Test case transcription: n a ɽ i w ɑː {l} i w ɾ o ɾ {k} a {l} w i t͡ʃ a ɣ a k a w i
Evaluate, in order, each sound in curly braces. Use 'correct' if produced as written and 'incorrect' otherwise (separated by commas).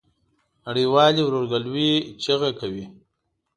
correct, incorrect, correct